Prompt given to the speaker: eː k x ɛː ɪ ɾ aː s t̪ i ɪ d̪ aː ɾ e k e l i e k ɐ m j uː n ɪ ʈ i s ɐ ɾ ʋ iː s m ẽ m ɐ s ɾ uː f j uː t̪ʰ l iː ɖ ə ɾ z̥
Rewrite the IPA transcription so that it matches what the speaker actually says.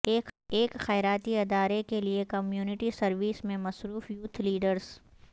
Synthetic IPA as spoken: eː k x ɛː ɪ ɾ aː t̪ i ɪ d̪ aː ɾ e k e l i e k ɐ m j uː n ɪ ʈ i s ɐ ɾ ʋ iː s m ẽ m ɐ s ɾ uː f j uː t̪ʰ l iː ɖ ə ɾ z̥